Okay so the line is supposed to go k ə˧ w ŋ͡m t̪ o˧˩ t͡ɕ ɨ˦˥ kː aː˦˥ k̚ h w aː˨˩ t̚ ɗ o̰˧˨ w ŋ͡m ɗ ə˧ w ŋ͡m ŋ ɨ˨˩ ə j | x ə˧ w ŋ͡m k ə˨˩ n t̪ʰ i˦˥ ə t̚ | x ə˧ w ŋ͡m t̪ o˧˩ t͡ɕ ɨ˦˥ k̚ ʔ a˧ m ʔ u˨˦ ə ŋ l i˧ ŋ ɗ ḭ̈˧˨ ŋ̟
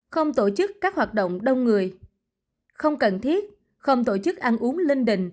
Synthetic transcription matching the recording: x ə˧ w ŋ͡m t̪ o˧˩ t͡ɕ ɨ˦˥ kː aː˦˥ k̚ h w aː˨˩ t̚ ɗ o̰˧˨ w ŋ͡m ɗ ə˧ w ŋ͡m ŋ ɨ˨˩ ə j | x ə˧ w ŋ͡m k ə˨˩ n t̪ʰ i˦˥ ə t̚ | x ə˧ w ŋ͡m t̪ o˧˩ t͡ɕ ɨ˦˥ k̚ ʔ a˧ n ʔ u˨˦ ə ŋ l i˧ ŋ ɗ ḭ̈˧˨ ŋ̟